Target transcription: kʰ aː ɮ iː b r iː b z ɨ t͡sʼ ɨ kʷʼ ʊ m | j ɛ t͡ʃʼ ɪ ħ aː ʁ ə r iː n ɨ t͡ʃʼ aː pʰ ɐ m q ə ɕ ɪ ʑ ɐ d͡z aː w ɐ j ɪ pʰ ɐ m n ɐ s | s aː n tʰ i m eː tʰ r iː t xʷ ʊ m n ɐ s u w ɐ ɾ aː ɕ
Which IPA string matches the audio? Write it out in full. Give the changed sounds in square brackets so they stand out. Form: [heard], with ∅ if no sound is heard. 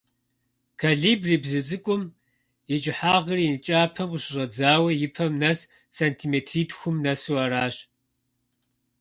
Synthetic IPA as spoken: kʰ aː ɮ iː b r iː b z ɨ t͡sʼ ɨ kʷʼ ʊ m | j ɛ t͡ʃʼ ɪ ħ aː ʁ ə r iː n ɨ t͡ʃʼ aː pʰ ɐ m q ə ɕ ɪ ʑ ɐ d͡z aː w ɐ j ɪ pʰ ɐ m n ɐ s | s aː n tʰ i m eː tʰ r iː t xʷ ʊ m n ɐ s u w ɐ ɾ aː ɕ